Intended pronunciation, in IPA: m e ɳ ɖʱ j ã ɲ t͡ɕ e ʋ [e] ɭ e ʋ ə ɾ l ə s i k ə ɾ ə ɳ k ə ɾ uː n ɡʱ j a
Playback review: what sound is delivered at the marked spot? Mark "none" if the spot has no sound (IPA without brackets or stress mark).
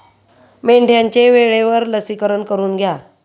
e